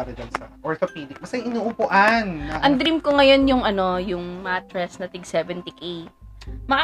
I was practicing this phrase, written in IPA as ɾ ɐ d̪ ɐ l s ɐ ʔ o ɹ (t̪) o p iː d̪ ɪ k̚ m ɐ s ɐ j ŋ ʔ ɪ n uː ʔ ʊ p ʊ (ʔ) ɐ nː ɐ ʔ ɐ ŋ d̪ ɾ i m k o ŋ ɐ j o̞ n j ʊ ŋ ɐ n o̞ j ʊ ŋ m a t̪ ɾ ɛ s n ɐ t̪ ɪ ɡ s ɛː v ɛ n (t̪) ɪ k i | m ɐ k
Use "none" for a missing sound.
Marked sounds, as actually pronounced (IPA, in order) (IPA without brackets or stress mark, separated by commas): t̪, ʔ, t̪